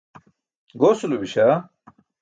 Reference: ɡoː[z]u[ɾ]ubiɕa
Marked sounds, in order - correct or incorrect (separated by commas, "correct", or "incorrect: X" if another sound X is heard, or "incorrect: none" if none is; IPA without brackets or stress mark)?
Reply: incorrect: s, incorrect: l